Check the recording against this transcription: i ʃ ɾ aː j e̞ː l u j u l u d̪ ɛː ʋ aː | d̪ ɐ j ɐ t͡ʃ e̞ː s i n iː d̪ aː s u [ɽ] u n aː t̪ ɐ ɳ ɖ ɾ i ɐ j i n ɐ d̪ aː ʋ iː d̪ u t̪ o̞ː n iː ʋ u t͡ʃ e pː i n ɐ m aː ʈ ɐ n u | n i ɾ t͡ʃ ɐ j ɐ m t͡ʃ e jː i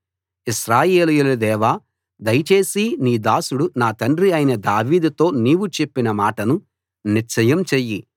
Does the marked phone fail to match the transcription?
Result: no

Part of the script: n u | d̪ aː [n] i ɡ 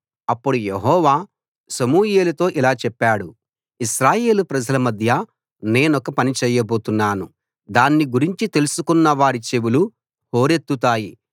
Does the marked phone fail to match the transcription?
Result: yes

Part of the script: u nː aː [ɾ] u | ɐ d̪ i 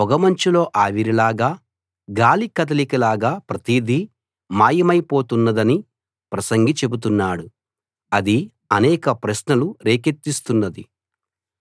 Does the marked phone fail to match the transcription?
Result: yes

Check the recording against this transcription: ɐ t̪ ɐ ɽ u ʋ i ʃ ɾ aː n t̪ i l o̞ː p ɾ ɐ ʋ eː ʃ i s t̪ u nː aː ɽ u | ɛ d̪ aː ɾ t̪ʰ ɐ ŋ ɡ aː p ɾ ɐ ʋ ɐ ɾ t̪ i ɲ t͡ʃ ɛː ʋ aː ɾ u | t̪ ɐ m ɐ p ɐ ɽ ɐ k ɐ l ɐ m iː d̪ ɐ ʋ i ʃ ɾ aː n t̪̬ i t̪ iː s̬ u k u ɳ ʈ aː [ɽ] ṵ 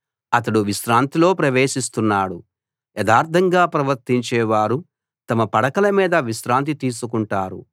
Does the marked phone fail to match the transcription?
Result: yes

